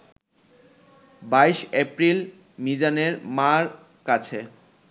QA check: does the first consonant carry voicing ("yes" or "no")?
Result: yes